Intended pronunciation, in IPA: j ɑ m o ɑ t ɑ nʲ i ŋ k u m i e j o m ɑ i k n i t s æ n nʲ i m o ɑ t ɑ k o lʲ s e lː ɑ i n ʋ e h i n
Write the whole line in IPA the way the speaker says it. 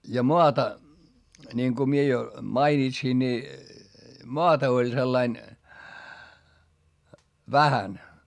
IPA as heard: j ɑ m o ɑ t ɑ nʲ i ŋ k u m i e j o m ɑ i n i t s i n nʲ i m o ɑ t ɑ o lʲ s e lː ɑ i n ʋ æ h æ n

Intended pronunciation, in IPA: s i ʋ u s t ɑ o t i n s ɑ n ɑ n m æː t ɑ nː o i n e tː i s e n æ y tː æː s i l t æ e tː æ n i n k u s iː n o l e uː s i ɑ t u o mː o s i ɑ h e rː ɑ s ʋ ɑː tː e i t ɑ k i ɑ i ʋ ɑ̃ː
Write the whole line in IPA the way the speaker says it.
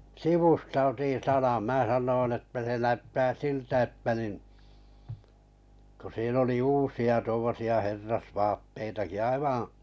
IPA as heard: s i ʋ u s t ɑ o t i n s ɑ n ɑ n m æː s ɑ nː o i n e tː æ s e n æ y tː æː s i l t æ e tː æ n i n k u s iː n o l i uː s i ɑ t u o mː o s i ɑ h e rː ɑ s ʋ ɑː tː e i t ɑ k i ɑ i ʋ ɑ̃ː

